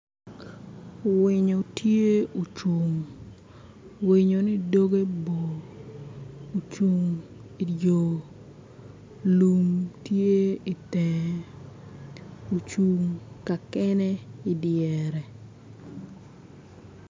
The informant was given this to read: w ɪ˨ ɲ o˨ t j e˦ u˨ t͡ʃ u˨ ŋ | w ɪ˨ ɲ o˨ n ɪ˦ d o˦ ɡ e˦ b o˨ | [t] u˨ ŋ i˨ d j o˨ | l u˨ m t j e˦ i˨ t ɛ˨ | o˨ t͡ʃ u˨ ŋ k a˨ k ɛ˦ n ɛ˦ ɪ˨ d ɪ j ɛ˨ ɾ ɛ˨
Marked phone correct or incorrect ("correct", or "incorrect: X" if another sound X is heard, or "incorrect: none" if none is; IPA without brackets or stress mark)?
incorrect: t͡ʃ